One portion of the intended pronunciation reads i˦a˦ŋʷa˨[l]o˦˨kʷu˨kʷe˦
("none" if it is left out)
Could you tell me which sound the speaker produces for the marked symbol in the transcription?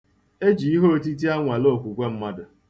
l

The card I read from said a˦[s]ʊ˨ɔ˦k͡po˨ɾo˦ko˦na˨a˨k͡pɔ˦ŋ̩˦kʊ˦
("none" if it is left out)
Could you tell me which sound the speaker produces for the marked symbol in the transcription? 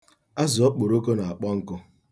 z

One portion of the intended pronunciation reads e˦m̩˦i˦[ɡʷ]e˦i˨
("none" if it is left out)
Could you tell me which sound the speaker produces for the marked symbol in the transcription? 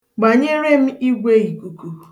ɡʷ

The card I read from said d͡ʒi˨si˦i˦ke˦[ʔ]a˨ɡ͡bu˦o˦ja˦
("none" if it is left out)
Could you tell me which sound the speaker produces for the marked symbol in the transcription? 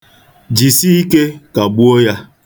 k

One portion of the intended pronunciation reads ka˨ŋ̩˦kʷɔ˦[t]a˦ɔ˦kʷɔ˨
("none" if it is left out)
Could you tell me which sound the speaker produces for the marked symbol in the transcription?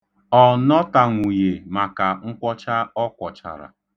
t͡ʃ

